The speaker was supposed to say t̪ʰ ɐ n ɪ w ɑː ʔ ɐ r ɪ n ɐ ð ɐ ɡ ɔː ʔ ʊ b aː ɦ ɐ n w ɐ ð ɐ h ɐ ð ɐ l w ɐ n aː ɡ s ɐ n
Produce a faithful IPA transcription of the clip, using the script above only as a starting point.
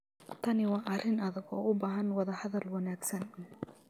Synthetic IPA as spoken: t̪ʰ ɐ n ɪ w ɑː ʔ ɐ r ɪ n ɐ ð ɐ ɡ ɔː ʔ ʊ b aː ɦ ɐ n w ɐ ð ɐ h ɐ ð ɐ l w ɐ n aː ɡ s ɐ n